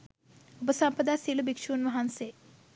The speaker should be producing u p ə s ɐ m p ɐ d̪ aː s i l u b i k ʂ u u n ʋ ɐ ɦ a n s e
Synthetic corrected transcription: u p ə s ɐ m p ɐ d̪ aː s i l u b i k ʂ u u n ʋ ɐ ɦ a n s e